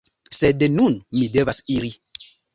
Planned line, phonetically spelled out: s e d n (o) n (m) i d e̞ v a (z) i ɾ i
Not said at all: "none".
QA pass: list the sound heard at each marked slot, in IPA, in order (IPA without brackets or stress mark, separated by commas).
u, m, s